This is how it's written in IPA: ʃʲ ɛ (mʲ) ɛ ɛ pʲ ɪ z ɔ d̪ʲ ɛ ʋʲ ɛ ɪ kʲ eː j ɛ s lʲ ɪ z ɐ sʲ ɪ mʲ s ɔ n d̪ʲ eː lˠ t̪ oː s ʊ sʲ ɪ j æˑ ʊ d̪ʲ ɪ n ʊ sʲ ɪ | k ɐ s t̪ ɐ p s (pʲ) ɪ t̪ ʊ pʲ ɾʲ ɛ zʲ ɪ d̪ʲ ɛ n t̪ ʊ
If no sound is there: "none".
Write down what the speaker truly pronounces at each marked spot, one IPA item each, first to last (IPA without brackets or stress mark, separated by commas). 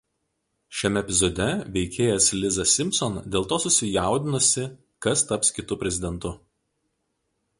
mʲ, kʲ